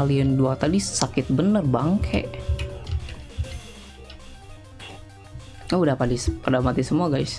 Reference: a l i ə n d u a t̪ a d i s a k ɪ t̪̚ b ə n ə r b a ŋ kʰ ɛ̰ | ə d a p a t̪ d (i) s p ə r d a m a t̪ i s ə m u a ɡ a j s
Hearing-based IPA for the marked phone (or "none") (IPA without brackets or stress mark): i